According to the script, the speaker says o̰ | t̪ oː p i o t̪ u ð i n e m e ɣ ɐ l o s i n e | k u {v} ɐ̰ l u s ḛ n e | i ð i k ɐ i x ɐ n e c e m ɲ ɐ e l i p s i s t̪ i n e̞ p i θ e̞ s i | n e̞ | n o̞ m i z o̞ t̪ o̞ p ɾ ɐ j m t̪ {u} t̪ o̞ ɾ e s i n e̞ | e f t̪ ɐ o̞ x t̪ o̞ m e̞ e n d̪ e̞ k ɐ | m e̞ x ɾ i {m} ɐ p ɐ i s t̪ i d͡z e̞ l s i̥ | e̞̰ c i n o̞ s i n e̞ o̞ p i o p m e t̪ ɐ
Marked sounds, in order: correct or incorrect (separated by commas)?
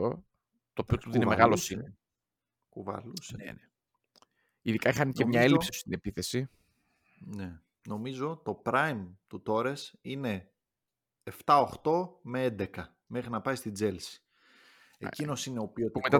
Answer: correct, correct, incorrect